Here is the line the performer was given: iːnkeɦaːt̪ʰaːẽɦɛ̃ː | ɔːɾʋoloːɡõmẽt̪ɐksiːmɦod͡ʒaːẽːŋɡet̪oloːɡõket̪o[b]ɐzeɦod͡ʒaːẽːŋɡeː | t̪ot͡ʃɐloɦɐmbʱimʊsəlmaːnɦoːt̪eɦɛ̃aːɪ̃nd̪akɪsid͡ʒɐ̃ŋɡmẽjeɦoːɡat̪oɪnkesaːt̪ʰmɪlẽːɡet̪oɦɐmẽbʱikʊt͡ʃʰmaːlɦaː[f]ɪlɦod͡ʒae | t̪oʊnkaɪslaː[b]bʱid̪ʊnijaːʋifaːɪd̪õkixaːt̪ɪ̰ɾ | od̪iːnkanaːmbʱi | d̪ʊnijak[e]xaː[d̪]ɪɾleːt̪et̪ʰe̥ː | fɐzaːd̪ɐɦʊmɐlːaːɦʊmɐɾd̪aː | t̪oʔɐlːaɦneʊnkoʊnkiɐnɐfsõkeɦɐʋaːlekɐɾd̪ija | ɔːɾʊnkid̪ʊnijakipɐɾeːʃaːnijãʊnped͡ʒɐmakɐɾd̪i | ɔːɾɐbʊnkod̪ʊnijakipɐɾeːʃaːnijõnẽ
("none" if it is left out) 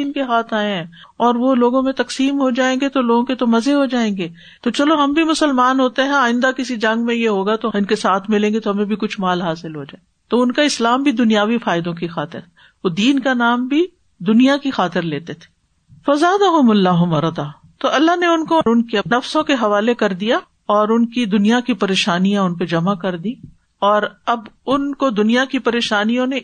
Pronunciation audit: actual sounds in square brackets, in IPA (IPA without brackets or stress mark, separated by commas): m, s, m, i, t̪